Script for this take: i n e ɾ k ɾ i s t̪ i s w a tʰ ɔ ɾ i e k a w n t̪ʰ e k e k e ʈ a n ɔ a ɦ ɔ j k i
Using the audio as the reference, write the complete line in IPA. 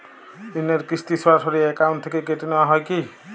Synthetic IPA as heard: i n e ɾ k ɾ i s t̪ i s w a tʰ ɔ ɾ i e k a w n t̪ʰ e k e k e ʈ i n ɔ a ɦ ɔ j k i